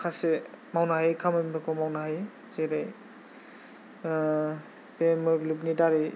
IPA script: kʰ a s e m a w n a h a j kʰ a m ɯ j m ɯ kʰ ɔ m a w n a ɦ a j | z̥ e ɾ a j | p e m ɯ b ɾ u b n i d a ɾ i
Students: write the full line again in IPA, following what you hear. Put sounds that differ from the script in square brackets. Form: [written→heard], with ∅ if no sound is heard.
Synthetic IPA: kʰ a s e m a w n a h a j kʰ a m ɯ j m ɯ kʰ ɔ m a w n a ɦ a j | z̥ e ɾ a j | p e m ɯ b [ɾ→l] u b n i d a ɾ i